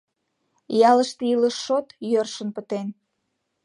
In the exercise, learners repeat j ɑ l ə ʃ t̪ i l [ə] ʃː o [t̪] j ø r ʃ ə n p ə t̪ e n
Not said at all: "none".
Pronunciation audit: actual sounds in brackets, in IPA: ə, t̪

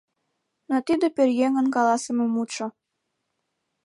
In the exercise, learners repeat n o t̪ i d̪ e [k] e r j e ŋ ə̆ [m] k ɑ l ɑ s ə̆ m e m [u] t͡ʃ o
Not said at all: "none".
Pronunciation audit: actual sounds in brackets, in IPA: p, n, u

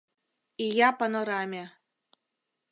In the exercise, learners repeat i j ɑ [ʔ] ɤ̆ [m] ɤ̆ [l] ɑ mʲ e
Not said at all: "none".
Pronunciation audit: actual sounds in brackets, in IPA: p, n, ɾ

